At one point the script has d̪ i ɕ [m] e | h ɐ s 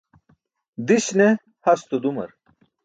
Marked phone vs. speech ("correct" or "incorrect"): incorrect